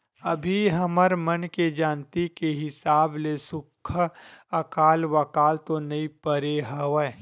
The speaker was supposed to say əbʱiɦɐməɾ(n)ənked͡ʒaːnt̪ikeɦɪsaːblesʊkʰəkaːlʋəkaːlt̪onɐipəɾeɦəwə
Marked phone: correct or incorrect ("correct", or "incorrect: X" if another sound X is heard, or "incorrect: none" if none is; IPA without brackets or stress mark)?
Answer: incorrect: m